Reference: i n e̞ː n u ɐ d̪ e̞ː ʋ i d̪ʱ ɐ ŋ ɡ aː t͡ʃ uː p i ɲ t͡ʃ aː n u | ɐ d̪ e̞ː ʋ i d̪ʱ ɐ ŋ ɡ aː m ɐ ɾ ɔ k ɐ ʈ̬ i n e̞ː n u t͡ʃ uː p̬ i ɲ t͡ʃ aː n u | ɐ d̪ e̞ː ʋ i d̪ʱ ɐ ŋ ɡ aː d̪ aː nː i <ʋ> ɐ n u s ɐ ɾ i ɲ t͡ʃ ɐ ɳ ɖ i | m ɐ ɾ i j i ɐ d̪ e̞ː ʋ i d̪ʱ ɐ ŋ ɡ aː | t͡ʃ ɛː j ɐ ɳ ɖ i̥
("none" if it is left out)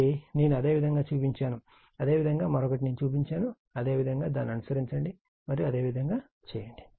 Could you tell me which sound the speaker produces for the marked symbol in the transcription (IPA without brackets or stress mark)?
none